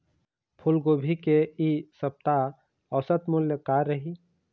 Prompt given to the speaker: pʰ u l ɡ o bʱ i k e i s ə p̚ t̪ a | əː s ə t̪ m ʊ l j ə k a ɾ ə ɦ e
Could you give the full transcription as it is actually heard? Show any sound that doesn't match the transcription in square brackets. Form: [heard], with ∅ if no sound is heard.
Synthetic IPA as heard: pʰ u l ɡ o bʱ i k e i s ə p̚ t̪ a | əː s ə t̪ m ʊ l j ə k a ɾ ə ɦ [i]